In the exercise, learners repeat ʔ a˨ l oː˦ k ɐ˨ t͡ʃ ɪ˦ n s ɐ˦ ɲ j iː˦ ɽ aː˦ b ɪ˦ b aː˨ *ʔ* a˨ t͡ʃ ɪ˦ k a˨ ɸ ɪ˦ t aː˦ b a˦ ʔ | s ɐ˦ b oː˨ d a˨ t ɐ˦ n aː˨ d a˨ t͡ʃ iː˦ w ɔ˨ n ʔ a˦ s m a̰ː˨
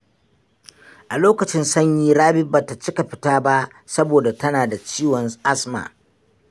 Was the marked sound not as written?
yes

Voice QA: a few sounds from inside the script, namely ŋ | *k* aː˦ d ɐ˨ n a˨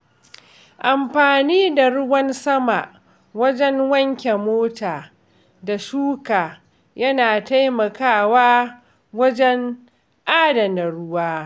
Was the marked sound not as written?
yes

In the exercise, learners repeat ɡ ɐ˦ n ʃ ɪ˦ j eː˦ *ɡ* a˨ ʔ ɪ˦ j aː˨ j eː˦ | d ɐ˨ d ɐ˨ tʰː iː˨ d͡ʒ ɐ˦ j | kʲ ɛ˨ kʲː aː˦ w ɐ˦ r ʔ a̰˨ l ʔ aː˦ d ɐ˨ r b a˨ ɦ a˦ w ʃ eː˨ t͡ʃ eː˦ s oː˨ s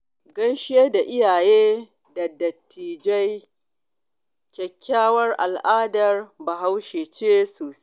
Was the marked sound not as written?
yes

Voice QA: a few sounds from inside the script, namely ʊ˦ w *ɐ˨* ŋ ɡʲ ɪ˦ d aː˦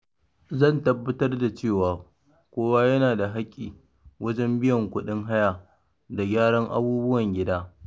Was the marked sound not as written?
no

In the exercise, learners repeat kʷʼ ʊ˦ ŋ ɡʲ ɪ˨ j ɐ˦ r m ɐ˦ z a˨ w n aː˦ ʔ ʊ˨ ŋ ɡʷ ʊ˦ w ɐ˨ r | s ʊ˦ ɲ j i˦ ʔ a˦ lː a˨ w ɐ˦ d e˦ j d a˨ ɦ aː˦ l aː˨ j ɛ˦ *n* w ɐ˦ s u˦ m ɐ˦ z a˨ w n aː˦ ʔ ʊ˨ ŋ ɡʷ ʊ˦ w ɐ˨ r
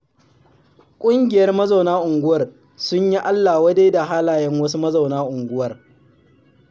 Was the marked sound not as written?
yes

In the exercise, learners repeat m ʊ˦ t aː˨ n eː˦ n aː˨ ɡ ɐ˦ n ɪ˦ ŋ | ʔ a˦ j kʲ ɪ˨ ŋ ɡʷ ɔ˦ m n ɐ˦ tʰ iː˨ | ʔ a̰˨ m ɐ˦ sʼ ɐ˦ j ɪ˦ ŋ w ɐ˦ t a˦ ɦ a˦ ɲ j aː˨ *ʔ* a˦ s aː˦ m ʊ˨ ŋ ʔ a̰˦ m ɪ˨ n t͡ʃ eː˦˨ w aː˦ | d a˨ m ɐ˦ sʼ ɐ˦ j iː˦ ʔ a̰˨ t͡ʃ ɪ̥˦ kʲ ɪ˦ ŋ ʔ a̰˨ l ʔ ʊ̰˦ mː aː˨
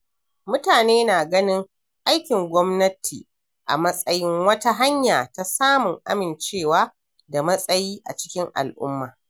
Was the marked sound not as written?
yes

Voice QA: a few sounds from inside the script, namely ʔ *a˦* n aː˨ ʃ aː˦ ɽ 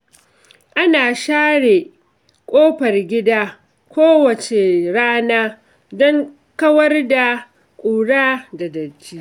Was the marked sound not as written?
no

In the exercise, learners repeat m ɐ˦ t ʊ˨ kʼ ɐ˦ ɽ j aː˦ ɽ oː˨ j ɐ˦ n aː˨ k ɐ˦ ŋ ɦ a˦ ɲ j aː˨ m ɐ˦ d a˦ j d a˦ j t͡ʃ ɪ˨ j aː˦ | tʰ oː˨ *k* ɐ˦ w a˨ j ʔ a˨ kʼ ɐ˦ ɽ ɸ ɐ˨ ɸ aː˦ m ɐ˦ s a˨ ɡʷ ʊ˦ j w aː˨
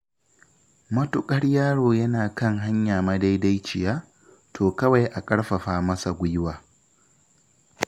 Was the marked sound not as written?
no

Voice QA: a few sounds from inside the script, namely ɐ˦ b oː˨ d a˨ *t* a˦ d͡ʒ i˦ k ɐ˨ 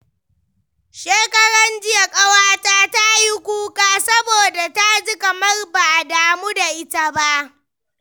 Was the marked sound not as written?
no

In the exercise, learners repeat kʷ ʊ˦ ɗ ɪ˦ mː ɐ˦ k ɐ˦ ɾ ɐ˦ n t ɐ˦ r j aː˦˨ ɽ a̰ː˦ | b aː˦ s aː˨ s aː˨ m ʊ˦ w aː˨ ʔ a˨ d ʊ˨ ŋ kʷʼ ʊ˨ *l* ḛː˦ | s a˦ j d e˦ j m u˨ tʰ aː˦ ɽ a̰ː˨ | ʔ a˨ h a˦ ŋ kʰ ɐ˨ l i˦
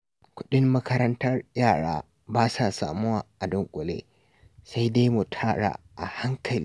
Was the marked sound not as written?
no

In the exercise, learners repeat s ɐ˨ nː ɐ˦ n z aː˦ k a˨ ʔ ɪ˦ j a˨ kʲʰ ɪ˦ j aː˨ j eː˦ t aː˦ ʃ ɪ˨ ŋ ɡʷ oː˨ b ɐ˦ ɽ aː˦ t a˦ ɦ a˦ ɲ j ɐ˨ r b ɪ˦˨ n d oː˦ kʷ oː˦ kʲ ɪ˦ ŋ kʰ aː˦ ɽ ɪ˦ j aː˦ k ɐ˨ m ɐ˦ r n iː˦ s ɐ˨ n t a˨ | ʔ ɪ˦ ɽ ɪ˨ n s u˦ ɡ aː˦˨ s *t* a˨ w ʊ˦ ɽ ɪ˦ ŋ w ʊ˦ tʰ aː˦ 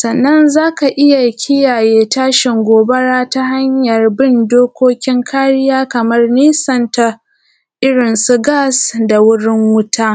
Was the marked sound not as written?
yes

